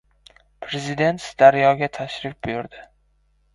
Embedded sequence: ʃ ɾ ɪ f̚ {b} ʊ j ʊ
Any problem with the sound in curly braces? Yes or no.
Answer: no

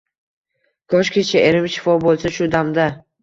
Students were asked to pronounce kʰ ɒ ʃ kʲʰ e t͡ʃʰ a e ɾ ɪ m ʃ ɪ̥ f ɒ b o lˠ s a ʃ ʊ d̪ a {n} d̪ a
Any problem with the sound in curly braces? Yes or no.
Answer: yes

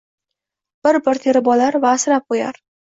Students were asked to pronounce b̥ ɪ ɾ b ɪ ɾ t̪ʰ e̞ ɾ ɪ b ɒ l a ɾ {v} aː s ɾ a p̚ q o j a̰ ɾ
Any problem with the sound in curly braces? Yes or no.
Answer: no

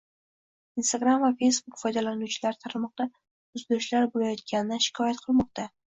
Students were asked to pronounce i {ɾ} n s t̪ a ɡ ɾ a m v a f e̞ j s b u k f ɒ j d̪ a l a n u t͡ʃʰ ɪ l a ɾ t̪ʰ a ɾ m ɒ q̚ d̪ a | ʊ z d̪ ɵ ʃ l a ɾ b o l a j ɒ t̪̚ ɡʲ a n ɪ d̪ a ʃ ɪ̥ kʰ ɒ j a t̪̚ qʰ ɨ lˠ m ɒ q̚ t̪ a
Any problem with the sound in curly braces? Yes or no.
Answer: yes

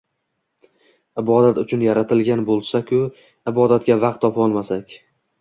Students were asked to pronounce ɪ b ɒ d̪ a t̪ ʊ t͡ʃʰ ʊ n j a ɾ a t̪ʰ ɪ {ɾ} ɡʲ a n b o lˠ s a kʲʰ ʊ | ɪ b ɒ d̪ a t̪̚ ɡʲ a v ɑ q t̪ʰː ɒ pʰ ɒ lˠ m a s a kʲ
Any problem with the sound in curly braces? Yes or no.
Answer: yes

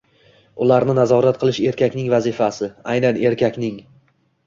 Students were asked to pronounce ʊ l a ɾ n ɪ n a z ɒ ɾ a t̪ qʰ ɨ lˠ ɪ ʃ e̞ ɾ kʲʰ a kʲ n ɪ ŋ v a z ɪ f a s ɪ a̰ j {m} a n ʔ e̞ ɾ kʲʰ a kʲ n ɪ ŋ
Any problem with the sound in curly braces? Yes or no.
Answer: yes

